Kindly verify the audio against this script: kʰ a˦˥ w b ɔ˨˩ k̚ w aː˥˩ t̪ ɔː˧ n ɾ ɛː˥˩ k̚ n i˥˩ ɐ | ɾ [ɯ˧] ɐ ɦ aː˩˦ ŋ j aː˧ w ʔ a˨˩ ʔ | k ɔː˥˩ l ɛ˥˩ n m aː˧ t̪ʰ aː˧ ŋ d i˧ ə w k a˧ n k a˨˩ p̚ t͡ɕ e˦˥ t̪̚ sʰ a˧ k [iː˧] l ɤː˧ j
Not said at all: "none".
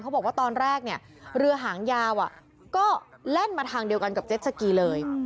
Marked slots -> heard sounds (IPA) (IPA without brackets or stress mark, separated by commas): ɯ˧, iː˧